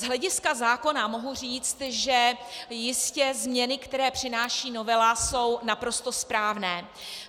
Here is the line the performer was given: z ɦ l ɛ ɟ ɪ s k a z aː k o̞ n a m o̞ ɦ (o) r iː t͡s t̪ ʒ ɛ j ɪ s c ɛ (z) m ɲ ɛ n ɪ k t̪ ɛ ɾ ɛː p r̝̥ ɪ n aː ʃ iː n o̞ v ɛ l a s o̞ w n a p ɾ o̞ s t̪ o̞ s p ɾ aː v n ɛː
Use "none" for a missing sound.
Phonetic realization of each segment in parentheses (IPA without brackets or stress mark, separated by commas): u, z